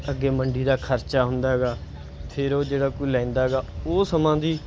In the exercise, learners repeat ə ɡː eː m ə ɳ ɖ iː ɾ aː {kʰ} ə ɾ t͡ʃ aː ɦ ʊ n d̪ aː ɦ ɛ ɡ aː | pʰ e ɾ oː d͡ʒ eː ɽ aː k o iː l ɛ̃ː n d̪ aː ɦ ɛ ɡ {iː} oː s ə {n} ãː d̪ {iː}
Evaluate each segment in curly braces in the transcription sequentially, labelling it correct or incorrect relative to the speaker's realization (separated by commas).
correct, incorrect, incorrect, correct